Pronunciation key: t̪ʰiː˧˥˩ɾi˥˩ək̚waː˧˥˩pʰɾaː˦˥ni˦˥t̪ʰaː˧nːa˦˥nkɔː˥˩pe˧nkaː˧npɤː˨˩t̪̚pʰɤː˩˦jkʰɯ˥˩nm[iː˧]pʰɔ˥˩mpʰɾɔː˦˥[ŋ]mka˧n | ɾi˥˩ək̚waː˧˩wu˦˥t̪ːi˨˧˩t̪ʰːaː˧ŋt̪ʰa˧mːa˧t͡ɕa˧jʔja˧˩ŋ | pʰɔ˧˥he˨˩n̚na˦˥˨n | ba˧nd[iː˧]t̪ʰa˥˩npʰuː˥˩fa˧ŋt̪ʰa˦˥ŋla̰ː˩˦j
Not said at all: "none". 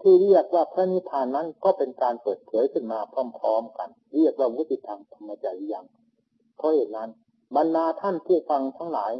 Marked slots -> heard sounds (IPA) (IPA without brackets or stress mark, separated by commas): aː˧, none, aː˧